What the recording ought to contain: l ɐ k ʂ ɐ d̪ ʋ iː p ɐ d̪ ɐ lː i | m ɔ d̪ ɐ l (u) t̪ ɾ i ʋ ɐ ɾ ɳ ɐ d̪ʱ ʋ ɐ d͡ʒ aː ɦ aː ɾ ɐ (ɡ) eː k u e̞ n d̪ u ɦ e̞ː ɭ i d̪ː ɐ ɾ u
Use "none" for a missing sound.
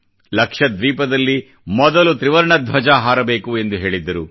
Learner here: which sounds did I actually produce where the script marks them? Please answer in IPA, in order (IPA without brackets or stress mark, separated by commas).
u, b